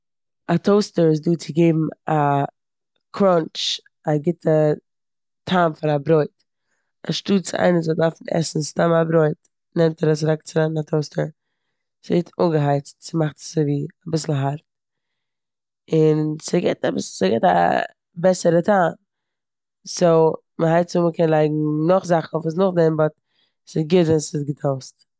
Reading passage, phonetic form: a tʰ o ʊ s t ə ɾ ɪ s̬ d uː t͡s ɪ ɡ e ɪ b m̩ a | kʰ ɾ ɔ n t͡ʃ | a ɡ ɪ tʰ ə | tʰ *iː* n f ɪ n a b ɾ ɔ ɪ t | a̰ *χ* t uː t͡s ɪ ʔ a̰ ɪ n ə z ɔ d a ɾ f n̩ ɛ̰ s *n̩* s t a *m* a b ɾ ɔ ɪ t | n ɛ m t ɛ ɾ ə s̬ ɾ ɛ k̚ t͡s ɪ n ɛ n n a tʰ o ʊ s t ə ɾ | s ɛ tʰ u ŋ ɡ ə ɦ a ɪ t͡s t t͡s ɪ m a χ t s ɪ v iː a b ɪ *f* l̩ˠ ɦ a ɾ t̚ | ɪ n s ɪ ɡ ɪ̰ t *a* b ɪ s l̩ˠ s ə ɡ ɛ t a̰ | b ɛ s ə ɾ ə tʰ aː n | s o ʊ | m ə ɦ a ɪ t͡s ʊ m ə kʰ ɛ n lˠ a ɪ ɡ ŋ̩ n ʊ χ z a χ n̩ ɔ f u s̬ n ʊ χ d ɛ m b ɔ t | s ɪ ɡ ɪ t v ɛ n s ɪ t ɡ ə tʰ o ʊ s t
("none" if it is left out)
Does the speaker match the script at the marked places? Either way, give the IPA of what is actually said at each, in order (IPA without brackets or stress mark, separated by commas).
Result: aː, ʃ, n̩, m, s, a